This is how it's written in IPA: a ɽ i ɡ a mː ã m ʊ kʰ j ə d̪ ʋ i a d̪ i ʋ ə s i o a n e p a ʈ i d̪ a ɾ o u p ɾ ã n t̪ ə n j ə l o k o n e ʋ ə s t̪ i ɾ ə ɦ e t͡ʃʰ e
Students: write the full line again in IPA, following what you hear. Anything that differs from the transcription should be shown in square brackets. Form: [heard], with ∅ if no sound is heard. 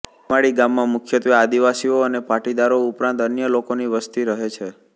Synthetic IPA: a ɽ i ɡ a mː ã m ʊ kʰ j ə [t̪] ʋ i a d̪ i ʋ [a] s i o [ə] n e p a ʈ i d̪ a ɾ o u p ɾ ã n t̪ ə n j ə l o k o n [i] ʋ ə s t̪ i ɾ ə ɦ e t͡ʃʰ e